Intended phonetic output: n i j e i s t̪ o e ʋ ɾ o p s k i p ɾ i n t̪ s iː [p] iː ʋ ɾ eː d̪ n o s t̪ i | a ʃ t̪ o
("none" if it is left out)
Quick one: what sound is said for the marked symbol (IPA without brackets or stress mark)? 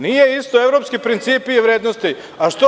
p